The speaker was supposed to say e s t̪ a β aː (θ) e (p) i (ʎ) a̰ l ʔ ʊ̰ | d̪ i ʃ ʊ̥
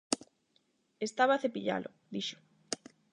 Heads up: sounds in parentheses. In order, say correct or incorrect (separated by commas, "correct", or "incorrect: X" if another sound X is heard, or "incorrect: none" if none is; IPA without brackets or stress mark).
correct, correct, correct